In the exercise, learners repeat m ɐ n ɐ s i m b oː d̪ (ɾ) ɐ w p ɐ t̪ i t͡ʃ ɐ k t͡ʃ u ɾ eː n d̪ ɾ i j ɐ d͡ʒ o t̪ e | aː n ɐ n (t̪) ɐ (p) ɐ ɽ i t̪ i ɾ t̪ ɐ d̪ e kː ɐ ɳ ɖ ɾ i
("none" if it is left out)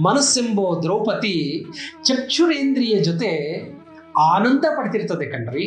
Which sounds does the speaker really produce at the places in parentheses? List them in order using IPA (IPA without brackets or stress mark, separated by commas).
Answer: ɾ, d̪, p